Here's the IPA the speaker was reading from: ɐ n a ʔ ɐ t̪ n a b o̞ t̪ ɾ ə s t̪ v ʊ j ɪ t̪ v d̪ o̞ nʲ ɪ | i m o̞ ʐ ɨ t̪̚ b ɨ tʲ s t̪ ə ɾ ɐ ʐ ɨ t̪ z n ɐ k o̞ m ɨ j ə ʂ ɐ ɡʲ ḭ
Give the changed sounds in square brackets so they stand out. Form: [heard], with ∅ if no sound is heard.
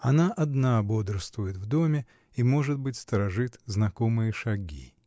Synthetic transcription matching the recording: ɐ n a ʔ ɐ [d̪] n a b o̞ [d̪] ɾ ə s t̪ v ʊ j ɪ t̪ v d̪ o̞ [mʲ] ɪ | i m o̞ ʐ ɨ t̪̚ b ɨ tʲ s t̪ ə ɾ ɐ ʐ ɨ t̪ z n ɐ k o̞ m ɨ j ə ʂ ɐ ɡʲ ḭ